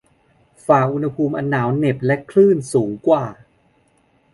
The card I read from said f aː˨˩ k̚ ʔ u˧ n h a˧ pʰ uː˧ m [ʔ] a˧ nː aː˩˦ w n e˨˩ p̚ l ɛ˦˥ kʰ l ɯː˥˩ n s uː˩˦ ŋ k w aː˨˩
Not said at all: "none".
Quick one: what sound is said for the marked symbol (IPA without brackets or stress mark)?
ʔ